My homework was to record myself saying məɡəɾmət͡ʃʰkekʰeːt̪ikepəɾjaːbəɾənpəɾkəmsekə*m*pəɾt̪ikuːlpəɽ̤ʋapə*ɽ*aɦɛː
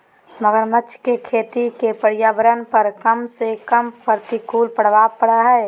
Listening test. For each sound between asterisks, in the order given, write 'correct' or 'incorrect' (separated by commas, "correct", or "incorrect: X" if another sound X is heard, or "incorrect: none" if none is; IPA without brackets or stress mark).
correct, correct